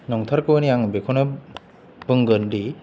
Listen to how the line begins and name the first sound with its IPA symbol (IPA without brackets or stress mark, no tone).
n